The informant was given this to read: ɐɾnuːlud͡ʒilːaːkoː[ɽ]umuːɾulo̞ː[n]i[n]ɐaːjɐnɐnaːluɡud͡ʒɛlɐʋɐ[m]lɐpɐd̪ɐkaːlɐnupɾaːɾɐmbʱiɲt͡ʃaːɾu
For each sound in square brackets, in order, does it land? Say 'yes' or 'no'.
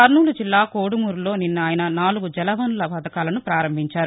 yes, yes, no, no

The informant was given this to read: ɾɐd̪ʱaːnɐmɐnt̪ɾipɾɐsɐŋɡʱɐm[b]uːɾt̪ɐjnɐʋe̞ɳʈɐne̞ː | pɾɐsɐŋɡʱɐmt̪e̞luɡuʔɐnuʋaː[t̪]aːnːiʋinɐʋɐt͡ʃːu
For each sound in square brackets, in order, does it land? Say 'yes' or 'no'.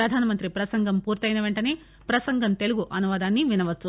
no, no

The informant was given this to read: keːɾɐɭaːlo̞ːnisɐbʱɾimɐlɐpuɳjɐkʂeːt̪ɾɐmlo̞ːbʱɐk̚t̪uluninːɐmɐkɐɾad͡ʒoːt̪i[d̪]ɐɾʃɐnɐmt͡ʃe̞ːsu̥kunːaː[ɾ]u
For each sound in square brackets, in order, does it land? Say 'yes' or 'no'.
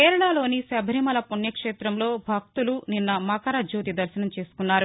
yes, yes

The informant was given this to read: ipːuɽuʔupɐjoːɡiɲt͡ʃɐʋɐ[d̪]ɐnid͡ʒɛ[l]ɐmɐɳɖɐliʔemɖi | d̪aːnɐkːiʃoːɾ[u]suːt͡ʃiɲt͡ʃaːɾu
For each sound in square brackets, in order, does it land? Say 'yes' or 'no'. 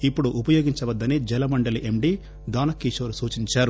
no, yes, yes

